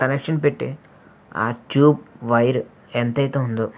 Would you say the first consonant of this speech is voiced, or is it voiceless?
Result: voiceless